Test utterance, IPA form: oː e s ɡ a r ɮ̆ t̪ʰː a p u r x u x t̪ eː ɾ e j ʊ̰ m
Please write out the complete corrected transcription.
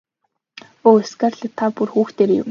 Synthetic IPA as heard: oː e s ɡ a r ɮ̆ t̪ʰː a p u r x uː x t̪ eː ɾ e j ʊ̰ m